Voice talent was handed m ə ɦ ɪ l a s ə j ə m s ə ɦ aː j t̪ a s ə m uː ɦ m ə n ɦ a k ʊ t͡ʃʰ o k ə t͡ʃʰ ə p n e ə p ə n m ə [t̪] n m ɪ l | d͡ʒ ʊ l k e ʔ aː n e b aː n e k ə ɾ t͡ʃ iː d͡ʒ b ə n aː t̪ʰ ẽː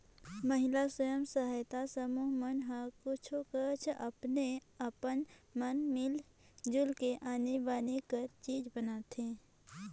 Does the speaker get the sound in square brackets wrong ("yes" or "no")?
yes